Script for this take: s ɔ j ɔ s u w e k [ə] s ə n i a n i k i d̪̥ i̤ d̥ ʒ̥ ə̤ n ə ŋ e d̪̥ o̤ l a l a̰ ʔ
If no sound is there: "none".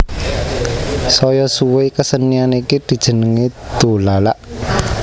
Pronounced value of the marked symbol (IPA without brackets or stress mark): ə